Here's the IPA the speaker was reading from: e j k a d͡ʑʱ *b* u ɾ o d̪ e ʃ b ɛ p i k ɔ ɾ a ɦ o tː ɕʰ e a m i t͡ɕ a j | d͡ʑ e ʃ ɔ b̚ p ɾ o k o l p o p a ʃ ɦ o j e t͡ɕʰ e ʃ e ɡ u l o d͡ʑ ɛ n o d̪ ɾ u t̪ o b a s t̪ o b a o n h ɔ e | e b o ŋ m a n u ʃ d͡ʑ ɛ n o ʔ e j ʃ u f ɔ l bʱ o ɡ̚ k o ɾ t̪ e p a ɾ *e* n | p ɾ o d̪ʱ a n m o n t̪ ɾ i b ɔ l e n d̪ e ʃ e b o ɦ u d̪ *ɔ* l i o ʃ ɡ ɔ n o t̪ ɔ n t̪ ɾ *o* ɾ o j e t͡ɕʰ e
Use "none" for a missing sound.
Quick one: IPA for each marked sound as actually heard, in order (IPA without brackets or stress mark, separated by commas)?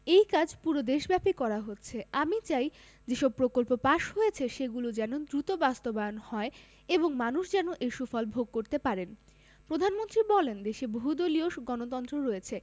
p, e, o, o